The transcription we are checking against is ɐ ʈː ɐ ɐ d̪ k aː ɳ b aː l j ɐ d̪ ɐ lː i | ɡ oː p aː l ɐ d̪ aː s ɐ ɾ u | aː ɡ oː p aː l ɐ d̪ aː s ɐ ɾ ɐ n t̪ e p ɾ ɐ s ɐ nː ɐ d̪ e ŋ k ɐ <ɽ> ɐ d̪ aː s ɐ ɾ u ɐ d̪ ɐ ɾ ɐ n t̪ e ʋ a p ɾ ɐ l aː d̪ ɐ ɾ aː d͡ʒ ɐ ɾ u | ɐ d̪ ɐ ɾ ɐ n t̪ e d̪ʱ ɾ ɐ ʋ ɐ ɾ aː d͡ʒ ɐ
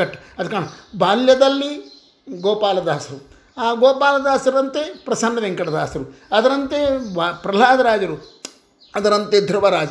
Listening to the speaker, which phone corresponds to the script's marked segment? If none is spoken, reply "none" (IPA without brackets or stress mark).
ɽ